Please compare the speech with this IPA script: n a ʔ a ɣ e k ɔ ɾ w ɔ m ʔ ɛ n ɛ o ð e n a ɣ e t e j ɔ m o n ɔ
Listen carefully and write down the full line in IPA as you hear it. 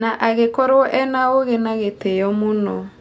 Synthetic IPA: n a ʔ a ɣ e k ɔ ɾ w ɔ ʔ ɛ n a o ɣ e n a ɣ e t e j ɔ m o n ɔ